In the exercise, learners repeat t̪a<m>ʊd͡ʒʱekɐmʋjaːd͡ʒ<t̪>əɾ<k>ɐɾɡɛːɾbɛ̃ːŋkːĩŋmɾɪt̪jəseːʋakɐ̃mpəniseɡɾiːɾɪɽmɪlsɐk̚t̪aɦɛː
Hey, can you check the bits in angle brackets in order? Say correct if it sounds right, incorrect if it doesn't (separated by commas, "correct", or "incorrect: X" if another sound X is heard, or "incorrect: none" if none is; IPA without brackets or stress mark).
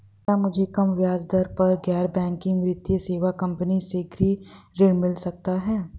correct, incorrect: d̪, incorrect: p